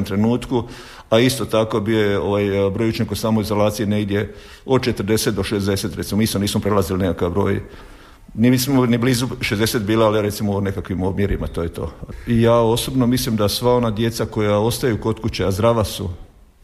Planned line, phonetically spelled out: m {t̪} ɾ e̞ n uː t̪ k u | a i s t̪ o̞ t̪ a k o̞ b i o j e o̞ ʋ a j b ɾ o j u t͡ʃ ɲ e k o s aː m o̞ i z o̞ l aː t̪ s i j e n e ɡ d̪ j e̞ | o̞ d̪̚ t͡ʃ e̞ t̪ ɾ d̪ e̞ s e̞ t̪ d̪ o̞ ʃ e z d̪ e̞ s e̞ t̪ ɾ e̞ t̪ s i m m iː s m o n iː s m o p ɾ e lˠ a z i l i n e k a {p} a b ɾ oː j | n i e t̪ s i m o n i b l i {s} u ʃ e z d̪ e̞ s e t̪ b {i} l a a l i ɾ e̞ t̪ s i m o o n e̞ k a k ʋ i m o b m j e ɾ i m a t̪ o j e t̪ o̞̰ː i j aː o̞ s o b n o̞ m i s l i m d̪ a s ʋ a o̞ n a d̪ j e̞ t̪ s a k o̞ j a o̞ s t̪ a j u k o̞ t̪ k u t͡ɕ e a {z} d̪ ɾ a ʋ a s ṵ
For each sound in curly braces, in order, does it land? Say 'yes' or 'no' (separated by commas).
yes, no, no, no, yes